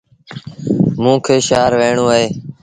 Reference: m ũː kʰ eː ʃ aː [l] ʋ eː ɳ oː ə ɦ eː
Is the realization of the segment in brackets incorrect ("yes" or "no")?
yes